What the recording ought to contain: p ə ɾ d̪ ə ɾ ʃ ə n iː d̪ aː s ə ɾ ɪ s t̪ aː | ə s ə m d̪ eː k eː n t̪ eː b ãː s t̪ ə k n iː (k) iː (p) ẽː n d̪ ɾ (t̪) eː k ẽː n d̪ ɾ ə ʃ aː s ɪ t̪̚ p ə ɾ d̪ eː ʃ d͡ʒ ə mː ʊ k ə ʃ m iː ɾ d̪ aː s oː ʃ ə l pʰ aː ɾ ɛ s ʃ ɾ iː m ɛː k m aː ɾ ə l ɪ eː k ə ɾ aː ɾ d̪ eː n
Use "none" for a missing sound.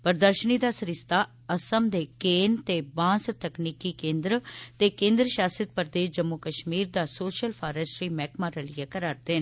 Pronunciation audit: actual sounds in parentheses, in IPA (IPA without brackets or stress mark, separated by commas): k, k, t̪